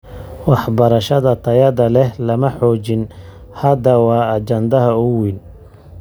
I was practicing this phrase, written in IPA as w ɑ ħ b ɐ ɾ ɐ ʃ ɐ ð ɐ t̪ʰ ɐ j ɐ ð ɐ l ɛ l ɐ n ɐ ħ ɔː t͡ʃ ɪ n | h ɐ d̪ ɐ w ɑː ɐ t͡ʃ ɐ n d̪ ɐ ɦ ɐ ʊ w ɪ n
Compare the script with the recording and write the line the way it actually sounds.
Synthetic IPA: w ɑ ħ b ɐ ɾ ɐ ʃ ɐ ð ɐ t̪ʰ ɐ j ɐ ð ɐ l ɛ l ɐ m ɐ ħ ɔː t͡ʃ ɪ n | h ɐ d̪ ɐ w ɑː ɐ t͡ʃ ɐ n d̪ ɐ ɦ ɐ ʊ w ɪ n